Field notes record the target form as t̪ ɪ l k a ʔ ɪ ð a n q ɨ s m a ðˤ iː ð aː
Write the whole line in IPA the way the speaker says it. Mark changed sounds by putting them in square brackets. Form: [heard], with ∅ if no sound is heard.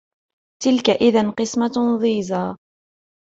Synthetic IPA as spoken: t̪ ɪ l k a ʔ ɪ ð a n q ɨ s m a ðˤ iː [z] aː